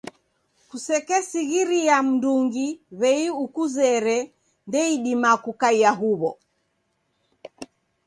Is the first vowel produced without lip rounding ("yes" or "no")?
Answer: no